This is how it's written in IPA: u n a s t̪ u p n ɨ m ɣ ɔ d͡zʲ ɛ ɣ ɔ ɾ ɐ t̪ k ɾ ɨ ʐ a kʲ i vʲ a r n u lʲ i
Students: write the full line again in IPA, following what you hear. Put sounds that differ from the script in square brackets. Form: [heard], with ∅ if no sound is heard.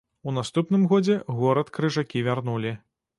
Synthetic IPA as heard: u n a s t̪ u p n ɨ m ɣ ɔ d͡zʲ ɛ ɣ ɔ ɾ ɐ t̪ k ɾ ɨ ʐ a kʲ i vʲ a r n u lʲ i